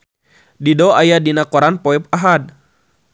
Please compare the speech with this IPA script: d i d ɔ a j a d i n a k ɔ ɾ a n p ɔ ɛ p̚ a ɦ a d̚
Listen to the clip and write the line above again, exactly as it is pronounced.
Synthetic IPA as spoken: d i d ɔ a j a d i n a k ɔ ɾ a n p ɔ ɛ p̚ a ɦ a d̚

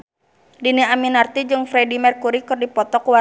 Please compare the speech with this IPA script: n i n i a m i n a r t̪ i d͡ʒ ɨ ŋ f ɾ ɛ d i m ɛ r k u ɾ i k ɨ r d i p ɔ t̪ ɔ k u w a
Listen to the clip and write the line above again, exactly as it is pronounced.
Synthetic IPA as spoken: d i n i a m i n a r t̪ i d͡ʒ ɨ ŋ f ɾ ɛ d i m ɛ r k u ɾ i k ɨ r d i p ɔ t̪ ɔ k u w a

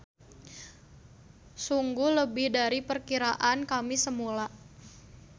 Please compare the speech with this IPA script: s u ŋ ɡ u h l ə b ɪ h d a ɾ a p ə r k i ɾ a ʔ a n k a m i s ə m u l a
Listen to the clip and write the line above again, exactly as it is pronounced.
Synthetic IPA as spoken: s u ŋ ɡ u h l ə b ɪ h d a ɾ i p ə r k i ɾ a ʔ a n k a m i s ə m u l a

